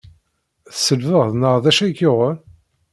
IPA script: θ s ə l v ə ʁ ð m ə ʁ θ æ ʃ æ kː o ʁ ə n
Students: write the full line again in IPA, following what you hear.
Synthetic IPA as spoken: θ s ə l v ə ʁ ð n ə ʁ ð æ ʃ æ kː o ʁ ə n